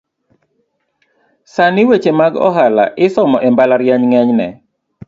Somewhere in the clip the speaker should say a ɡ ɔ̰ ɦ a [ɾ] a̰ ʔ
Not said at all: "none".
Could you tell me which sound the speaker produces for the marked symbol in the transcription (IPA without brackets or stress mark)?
l